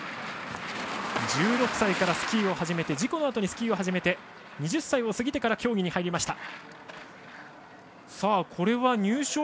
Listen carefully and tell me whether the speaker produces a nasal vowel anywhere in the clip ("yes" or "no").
no